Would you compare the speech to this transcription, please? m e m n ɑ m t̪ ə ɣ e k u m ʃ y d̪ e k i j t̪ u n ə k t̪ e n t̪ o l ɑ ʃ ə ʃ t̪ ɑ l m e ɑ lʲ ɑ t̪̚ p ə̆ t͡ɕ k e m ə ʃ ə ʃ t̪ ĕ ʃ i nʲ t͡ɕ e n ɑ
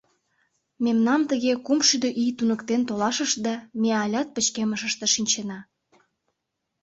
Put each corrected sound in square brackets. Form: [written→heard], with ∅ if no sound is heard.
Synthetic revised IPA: m e m n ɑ m t̪ ə ɣ e k u m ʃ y d̪ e [k→ʔ] i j t̪ u n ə k t̪ e n t̪ o l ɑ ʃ ə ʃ [t̪→d̪] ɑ [l→∅] m e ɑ lʲ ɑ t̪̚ p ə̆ t͡ɕ k e m ə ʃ ə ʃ t̪ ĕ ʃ i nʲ t͡ɕ e n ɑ